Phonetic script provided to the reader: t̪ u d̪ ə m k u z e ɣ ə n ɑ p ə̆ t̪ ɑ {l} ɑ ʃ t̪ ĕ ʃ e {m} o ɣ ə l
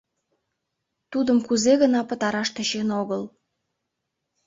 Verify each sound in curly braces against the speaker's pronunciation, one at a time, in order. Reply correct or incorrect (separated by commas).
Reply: incorrect, incorrect